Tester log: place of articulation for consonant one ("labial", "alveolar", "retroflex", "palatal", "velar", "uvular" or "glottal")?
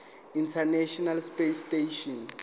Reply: alveolar